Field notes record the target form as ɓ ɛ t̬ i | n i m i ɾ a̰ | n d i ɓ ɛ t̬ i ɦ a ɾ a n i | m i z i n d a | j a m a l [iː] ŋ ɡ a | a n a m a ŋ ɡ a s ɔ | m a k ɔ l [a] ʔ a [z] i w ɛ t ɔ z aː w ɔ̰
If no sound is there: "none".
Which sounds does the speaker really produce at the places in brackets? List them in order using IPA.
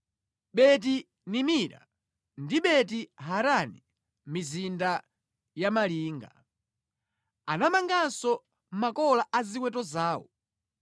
iː, a, z

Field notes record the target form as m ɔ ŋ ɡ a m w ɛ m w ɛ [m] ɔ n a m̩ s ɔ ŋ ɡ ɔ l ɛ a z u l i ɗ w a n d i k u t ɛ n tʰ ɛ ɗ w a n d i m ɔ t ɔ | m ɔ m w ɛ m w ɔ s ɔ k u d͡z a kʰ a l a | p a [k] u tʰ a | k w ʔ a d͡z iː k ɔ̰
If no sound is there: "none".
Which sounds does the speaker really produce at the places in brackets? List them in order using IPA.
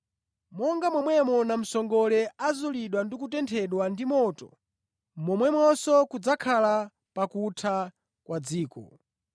m, k

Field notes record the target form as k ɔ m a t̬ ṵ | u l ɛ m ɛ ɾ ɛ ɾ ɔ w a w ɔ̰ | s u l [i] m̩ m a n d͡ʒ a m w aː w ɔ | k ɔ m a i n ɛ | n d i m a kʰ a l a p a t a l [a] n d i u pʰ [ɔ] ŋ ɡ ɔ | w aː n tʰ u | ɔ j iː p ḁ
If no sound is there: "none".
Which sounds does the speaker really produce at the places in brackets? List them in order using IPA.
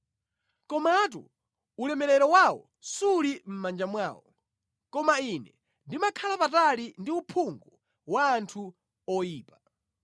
i, i, u

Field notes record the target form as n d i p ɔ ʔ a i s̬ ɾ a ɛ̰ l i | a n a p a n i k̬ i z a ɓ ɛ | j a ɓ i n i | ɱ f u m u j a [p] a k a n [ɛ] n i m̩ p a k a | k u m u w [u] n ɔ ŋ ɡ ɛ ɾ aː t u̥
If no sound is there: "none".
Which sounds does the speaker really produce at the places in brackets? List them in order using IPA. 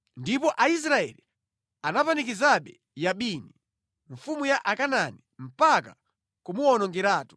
ʔ, a, ɔ

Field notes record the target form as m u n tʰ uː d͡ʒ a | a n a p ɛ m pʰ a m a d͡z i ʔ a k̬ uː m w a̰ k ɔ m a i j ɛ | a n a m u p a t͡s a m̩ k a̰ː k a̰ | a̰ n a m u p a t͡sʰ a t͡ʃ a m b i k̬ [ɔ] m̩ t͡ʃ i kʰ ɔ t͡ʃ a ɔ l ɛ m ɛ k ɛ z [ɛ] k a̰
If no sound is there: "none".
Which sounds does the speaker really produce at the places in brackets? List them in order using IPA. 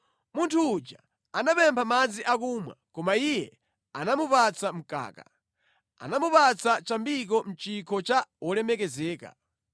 ɔ, ɛː

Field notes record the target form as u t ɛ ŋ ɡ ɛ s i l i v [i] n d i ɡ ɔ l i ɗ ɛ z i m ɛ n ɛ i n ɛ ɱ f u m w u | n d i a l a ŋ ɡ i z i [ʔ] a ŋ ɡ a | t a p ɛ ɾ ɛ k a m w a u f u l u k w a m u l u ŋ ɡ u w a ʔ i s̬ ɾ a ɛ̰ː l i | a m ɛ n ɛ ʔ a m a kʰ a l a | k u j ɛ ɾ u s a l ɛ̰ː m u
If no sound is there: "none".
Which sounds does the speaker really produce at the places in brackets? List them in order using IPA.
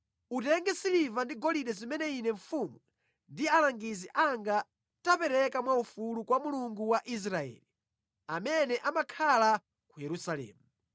a, ʔ

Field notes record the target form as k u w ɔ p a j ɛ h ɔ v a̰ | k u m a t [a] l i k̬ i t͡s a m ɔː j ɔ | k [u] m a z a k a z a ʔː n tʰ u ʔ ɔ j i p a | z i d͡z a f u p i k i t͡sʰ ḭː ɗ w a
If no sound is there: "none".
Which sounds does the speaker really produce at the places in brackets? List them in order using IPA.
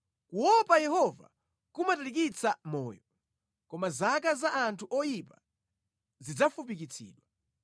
a, ɔ

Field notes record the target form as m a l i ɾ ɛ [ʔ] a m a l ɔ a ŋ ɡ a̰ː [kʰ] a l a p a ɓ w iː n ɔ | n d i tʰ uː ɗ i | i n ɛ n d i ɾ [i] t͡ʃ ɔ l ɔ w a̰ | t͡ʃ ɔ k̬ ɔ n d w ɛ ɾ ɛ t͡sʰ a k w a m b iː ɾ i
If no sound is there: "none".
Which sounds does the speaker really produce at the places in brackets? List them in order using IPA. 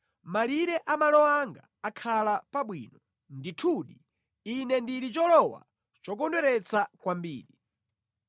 ʔ, kʰ, i

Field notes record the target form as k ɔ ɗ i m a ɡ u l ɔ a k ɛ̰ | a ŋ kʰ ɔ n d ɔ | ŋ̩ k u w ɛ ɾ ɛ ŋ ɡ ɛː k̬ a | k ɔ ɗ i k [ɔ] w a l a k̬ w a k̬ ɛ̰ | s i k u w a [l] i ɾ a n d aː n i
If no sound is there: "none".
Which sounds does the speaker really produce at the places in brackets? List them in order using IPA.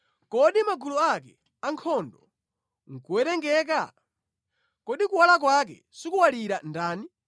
u, l

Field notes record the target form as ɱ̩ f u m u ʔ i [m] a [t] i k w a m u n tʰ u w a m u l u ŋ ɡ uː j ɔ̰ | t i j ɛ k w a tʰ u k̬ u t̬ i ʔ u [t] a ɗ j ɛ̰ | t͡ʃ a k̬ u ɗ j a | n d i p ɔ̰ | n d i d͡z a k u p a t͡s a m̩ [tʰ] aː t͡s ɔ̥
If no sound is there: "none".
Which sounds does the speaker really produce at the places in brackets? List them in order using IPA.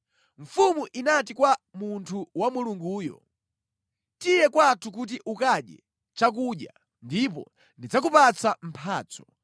n, t, k, pʰ

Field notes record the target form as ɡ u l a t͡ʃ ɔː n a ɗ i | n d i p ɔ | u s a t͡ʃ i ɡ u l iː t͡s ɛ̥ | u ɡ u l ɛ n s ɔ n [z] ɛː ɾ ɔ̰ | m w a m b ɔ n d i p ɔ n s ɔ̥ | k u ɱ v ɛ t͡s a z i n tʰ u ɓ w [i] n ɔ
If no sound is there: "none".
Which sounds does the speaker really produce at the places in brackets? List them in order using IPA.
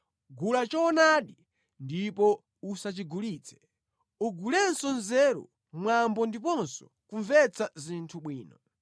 z, iː

